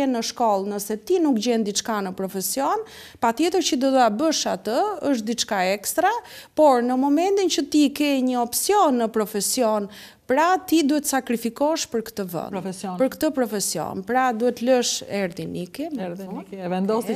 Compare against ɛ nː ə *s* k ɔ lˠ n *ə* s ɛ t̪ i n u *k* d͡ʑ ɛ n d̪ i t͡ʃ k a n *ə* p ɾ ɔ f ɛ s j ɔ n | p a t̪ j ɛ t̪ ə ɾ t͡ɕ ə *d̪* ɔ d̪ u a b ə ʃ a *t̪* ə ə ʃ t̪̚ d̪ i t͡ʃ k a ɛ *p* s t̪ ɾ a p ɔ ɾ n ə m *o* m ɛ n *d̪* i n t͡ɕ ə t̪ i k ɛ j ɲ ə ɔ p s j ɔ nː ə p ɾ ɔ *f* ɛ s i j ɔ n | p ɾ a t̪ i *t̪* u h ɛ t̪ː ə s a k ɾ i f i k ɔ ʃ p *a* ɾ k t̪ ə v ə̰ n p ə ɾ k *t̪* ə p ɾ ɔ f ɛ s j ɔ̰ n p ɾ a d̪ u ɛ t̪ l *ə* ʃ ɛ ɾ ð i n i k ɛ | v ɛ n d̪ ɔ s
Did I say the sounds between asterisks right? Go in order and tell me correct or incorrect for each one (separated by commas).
incorrect, correct, correct, correct, correct, correct, incorrect, incorrect, incorrect, correct, incorrect, incorrect, correct, correct